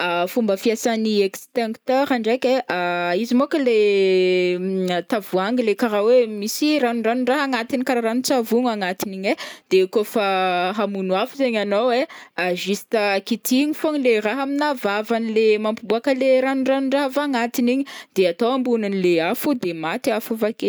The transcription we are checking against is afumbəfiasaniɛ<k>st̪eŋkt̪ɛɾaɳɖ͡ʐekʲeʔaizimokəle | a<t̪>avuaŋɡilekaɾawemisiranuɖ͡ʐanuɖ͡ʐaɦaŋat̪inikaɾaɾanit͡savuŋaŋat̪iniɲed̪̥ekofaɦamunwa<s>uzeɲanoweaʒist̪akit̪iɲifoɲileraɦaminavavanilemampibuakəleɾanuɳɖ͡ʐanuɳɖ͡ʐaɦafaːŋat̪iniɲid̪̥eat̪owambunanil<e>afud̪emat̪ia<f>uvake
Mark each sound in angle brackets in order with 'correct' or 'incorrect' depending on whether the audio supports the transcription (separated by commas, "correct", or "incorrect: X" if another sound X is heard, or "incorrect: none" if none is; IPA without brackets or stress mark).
correct, correct, incorrect: f, correct, correct